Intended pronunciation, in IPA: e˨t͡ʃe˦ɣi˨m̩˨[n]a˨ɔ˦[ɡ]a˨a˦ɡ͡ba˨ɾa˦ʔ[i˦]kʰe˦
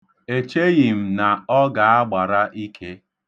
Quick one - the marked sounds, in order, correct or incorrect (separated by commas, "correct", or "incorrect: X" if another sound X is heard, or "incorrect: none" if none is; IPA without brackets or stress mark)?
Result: correct, correct, correct